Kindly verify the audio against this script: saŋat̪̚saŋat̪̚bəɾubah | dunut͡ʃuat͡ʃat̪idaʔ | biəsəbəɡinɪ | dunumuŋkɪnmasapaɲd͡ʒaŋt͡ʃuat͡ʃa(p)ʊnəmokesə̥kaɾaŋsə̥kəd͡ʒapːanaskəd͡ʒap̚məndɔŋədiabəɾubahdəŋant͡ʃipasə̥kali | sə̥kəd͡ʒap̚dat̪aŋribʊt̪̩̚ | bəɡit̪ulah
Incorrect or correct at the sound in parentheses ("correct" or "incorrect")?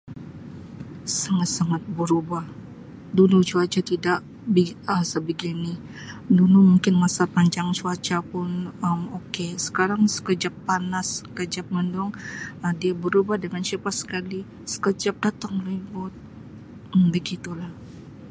correct